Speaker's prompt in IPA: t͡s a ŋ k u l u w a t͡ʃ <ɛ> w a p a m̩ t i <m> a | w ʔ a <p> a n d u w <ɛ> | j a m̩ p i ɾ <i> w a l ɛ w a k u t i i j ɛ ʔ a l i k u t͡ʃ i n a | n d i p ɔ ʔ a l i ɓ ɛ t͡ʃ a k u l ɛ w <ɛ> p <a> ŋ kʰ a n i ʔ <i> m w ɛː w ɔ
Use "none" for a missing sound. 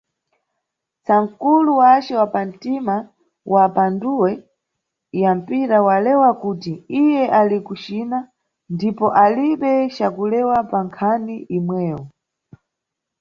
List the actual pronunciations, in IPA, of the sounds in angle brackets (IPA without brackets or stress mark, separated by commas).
ɛ, m, p, ɛ, a, a, a, i